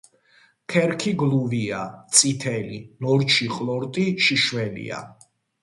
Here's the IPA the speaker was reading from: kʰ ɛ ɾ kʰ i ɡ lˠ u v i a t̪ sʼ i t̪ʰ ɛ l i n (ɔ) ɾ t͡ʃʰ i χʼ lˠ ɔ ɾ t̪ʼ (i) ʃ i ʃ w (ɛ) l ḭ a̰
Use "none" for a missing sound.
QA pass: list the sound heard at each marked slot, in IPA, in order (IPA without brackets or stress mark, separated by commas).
ɔ, i, ɛ